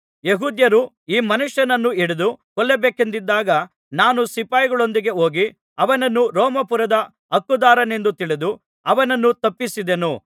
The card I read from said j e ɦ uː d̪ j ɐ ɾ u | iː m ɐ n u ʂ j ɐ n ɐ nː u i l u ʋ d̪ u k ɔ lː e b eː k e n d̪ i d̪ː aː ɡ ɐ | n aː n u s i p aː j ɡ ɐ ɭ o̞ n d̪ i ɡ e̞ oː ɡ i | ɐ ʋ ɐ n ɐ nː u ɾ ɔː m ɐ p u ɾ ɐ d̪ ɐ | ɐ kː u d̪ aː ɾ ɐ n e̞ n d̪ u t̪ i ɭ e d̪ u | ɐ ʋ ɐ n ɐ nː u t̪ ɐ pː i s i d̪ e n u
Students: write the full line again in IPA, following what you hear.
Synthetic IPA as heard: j e ɦ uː d̪ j ɐ ɾ u | iː m ɐ n u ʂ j ɐ n ɐ nː u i ɽ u d̪ u k ɔ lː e b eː k e n d̪ i d̪ː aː ɡ ɐ | n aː n u s i p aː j ɡ ɐ ɭ o̞ n d̪ i ɡ e̞ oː ɡ i | ɐ ʋ ɐ n ɐ nː u ɾ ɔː m ɐ p u ɾ ɐ d̪ ɐ | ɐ kː u d̪ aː ɾ ɐ n e̞ n d̪ u t̪ i ɭ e d̪ u | ɐ ʋ ɐ n ɐ nː u t̪ ɐ pː i s i d̪ e n u

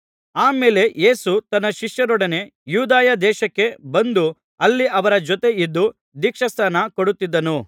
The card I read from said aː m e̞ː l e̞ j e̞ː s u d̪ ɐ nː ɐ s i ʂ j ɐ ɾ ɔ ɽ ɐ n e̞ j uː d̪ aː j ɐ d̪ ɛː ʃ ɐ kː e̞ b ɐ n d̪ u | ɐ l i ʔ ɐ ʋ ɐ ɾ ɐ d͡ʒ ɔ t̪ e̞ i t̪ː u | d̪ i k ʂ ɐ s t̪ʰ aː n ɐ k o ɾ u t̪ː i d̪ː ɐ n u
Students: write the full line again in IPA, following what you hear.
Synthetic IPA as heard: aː m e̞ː l e̞ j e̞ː s u t̪ ɐ nː ɐ ʃ i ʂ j ɐ ɾ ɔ ɽ ɐ n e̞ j uː d̪ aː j ɐ d̪ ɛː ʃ ɐ kː e̞ b ɐ n d̪ u | ɐ lː i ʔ ɐ ʋ ɐ ɾ ɐ d͡ʒ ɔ t̪ e̞ i d̪ː u | d̪ i k ʂ ɐ s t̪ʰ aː n ɐ k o ɽ u t̪ː i d̪ː ɐ n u

